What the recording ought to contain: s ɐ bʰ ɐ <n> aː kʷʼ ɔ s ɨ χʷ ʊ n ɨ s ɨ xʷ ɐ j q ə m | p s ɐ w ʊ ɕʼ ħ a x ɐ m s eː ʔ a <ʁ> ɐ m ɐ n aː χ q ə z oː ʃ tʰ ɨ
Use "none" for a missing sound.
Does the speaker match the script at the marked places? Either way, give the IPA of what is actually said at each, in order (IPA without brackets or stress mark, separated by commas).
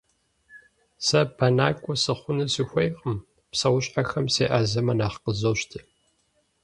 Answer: n, z